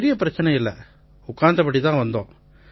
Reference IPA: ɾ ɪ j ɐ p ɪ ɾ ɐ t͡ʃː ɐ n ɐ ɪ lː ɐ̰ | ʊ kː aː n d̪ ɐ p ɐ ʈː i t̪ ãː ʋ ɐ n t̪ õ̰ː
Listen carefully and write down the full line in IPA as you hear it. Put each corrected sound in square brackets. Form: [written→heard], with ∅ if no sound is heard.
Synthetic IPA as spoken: ɾ ɪ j ɐ p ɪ ɾ ɐ t͡ʃː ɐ n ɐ ɪ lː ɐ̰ | ʊ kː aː n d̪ ɐ p ɐ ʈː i t̪ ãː ʋ ɐ n [t̪→d̪] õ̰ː

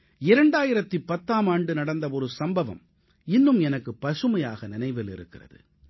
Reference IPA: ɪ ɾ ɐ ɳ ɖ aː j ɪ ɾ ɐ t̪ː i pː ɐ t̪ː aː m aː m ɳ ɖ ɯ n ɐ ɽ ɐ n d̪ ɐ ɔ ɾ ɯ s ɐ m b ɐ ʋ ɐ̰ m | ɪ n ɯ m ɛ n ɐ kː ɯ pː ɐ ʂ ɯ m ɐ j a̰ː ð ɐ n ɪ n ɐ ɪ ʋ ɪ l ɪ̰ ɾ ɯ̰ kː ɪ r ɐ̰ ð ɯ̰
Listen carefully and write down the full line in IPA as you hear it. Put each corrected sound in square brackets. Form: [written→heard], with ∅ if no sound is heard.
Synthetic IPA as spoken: ɪ ɾ ɐ ɳ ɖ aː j ɪ ɾ ɐ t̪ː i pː ɐ t̪ː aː m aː [m→∅] ɳ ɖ ɯ n ɐ ɽ ɐ n d̪ ɐ ɔ ɾ ɯ s ɐ m b ɐ ʋ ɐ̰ m | ɪ [n→nː] ɯ m ɛ n ɐ kː ɯ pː ɐ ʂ ɯ m ɐ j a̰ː [ð→ɣ] ɐ n ɪ n ɐ ɪ ʋ ɪ l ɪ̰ ɾ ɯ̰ kː ɪ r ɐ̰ ð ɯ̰

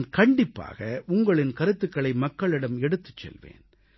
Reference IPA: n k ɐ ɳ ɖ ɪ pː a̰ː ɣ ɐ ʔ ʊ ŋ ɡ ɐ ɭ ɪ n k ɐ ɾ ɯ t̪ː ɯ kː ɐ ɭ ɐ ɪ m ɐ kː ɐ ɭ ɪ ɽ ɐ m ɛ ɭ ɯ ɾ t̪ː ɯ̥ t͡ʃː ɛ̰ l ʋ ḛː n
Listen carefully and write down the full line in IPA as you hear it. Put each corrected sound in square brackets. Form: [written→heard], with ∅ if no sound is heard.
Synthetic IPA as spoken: n k ɐ ɳ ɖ ɪ pː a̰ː ɣ ɐ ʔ ʊ ŋ ɡ ɐ ɭ ɪ n k ɐ ɾ ɯ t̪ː ɯ kː ɐ ɭ ɐ ɪ m ɐ kː ɐ ɭ ɪ ɽ ɐ m ɛ [ɭ→ɽ] ɯ [ɾ→∅] t̪ː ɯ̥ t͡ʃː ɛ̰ l ʋ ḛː n

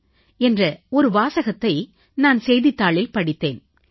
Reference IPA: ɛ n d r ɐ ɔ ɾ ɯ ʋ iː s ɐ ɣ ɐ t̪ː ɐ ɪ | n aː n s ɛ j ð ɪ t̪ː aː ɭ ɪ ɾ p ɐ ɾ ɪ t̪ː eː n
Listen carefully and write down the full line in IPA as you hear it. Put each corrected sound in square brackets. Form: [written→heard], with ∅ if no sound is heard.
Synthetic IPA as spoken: ɛ n d r ɐ ɔ ɾ ɯ ʋ [iː→aː] s ɐ ɣ ɐ t̪ː ɐ ɪ | n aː n s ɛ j ð ɪ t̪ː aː ɭ ɪ [ɾ→l] p ɐ [ɾ→ɽ] ɪ t̪ː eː n

